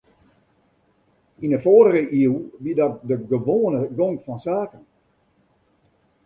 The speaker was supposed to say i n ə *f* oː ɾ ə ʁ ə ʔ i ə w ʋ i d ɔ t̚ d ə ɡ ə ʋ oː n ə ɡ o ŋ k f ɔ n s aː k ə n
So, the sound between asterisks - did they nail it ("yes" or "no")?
yes